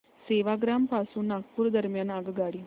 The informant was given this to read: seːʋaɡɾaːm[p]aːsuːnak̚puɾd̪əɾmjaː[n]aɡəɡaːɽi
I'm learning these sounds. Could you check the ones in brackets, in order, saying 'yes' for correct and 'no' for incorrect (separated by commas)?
yes, yes